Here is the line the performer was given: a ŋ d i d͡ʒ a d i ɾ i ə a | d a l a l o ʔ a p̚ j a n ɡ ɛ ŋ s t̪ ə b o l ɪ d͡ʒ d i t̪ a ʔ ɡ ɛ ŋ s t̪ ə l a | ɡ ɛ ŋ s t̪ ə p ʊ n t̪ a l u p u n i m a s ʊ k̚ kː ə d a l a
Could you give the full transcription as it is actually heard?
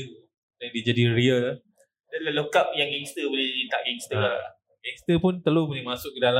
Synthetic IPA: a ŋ d i d͡ʒ a d i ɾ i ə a | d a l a l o k a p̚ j a ŋ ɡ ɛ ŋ s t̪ ə b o l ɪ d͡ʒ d i t̪ a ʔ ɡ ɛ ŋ s t̪ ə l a | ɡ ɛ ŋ s t̪ ə p ʊ n t̪ ə l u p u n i m a s ʊ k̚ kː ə d a l a